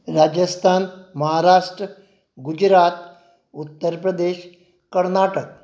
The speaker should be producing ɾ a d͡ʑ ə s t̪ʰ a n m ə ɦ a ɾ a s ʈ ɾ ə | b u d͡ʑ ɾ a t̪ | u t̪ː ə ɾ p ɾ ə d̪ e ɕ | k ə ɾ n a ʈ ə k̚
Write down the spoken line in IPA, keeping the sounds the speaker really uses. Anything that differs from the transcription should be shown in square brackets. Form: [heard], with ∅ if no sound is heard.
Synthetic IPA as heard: ɾ a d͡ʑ ə s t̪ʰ a n m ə ɦ a ɾ a [ʂ] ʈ ɾ ə | [ɡ] u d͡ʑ ɾ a t̪ | u t̪ː ə ɾ p ɾ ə d̪ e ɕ | k ə ɾ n a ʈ ə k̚